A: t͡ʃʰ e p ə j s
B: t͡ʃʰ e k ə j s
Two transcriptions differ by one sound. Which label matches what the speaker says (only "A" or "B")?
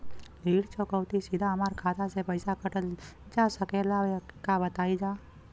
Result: A